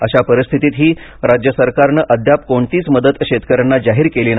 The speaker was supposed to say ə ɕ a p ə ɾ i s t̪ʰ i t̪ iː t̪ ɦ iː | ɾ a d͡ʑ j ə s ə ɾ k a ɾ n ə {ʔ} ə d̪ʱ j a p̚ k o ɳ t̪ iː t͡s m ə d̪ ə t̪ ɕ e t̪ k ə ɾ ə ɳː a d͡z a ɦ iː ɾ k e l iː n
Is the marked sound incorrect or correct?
correct